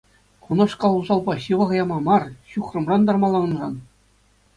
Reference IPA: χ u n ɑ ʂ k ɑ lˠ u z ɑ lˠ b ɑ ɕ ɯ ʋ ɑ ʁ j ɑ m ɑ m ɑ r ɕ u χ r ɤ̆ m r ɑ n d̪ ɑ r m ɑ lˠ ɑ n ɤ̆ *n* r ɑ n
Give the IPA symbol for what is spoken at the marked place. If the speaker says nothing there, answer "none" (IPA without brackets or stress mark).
n